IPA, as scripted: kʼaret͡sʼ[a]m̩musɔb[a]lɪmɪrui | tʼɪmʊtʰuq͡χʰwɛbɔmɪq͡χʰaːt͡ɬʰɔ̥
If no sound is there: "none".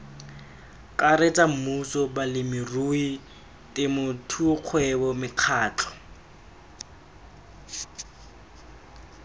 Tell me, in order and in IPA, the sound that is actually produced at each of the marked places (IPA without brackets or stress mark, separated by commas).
a, a